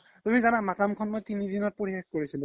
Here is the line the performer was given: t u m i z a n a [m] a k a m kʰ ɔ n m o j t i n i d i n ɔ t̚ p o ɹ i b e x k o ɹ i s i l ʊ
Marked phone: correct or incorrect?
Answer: correct